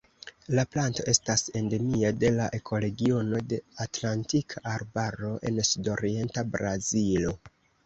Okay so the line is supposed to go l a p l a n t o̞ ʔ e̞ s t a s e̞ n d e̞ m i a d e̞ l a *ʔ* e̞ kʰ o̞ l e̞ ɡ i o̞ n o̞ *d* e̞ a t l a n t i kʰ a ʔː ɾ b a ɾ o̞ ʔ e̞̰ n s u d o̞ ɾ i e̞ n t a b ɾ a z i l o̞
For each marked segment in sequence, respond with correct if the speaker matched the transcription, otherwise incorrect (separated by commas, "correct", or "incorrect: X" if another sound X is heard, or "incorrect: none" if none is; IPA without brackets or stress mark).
correct, correct